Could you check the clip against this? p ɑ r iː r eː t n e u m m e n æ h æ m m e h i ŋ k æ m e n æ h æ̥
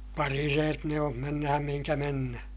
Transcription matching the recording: p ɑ r i r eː t n e o m m e nː æ h æ m m i h i ŋ k æ m e nː æ h æ̥